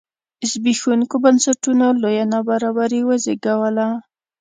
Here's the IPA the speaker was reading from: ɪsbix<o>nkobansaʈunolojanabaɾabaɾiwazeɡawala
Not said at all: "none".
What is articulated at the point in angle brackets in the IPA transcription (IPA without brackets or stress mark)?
u